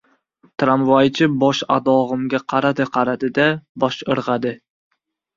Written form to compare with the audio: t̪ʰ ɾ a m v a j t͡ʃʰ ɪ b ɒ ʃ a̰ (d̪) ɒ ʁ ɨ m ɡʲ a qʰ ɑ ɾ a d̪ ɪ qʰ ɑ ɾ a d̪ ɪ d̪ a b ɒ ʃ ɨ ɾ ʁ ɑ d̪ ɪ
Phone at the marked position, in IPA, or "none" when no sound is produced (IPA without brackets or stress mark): d̪